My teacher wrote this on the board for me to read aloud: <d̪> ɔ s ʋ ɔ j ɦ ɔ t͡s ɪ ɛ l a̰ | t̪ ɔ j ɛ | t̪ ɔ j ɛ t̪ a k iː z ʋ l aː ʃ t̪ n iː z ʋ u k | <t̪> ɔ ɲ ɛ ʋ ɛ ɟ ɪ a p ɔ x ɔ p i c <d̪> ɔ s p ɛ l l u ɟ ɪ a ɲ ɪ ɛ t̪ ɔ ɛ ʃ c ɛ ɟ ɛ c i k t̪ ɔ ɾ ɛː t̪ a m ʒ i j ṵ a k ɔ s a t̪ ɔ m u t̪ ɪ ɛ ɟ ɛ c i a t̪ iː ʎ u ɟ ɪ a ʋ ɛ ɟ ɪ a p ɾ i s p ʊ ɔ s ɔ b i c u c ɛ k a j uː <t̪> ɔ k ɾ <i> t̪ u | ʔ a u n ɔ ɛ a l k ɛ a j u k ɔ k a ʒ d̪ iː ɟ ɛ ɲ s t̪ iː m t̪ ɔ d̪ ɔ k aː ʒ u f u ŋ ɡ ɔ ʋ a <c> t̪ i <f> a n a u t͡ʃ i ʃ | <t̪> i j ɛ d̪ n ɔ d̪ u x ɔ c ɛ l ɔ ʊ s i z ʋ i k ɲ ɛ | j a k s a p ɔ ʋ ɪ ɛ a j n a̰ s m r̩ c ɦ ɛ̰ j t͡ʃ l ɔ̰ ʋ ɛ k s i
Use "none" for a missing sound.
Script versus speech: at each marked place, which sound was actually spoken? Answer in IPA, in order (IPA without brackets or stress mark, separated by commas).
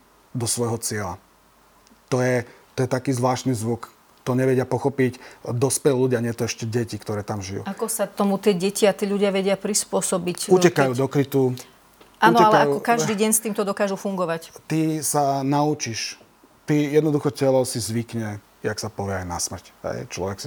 d̪, t̪, d̪, d̪, i, c, s, t̪